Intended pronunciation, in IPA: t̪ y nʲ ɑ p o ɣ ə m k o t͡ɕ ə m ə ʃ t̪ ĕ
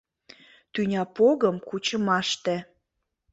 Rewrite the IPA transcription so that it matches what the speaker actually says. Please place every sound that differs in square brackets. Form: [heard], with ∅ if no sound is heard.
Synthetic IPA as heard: t̪ y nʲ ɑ p o ɣ ə m k [u] t͡ɕ ə m [ɑ] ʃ t̪ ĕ